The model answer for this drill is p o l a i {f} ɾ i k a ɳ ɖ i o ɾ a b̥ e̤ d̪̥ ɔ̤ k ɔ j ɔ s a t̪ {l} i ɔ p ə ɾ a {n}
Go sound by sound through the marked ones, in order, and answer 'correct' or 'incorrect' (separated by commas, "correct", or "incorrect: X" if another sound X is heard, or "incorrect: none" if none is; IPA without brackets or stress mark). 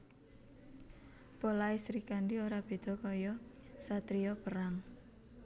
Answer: incorrect: s, incorrect: ɾ, incorrect: ŋ